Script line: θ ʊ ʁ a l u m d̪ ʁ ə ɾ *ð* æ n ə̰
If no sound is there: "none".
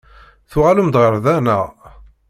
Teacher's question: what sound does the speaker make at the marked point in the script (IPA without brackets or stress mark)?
ð